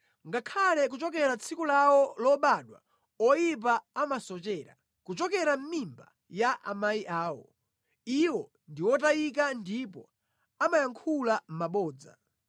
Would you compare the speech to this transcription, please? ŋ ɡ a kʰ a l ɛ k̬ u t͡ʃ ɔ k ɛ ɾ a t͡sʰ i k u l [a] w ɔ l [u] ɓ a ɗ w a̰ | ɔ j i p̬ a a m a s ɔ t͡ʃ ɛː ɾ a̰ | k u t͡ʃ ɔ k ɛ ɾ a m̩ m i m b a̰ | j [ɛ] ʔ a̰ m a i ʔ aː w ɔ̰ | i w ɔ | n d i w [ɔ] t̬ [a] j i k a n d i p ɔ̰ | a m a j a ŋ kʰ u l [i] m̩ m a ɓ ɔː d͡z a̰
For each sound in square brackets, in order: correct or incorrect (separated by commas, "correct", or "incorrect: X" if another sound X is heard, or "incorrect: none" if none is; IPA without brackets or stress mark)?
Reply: correct, incorrect: ɔ, incorrect: a, correct, correct, incorrect: a